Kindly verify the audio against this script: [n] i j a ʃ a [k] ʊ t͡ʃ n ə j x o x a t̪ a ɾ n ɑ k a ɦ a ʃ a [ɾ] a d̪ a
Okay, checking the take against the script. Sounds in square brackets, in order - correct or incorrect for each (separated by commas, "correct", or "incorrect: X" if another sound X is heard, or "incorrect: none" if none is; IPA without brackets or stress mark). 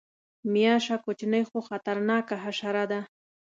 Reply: incorrect: m, correct, correct